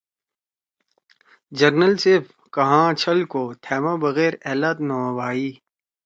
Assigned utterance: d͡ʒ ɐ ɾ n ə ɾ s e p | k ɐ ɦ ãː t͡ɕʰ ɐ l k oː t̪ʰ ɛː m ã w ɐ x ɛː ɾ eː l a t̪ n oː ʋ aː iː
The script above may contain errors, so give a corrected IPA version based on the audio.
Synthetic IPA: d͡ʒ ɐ ɾ n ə l s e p | k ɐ ɦ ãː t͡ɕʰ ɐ l k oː t̪ʰ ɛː m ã b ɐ ɣ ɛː ɾ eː l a t̪ n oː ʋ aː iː